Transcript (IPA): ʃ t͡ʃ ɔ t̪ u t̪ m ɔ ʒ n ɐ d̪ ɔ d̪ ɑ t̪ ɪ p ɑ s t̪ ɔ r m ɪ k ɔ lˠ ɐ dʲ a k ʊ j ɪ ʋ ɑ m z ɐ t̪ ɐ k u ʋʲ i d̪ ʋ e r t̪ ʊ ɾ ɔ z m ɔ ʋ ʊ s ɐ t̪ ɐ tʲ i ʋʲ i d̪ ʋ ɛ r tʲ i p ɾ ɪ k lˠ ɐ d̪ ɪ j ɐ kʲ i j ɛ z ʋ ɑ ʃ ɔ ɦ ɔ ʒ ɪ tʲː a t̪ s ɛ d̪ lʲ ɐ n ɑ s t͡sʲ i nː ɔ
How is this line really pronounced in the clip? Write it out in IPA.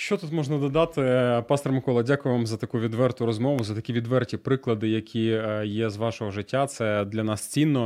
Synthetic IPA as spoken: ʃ t͡ʃ ɔ t̪ u t̪ m ɔ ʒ n ɐ d̪ ɔ d̪ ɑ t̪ ɪ p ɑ s t̪ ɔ r m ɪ k ɔ lˠ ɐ dʲ a k ʊ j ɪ ʋ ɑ m z ɐ t̪ ɐ k u ʋʲ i d̪ ʋ ɛ r t̪ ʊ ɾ ɔ z m ɔ ʋ ʊ z ɐ t̪ ɐ kʲ i ʋʲ i d̪ ʋ ɛ r tʲ i p ɾ ɪ k lˠ ɐ d̪ ɪ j ɐ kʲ i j ɛ z ʋ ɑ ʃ ɔ ɦ ɔ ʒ ɪ tʲː a t̪ s ɛ d̪ lʲ ɐ n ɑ s t͡sʲ i nː ɔ